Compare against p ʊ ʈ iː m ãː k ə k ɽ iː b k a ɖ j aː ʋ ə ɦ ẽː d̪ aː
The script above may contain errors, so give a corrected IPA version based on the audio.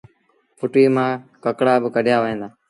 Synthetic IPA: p ʊ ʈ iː m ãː k ə k ɽ aː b k ə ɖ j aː ʋ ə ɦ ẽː d̪ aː